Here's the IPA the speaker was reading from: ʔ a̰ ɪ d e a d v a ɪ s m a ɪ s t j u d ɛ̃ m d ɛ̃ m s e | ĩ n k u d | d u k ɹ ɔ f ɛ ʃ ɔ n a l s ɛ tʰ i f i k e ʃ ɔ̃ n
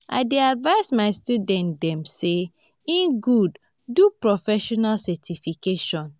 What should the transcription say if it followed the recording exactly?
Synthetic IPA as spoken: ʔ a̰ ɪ d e a d v a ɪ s m a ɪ s t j u d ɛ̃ n d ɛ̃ m s e | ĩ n ɡ u d | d u p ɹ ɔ f ɛ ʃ ɔ n a l s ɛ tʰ i f i k e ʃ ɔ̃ n